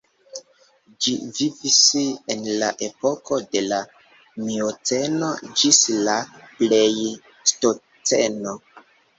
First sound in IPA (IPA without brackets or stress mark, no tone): d͡ʒ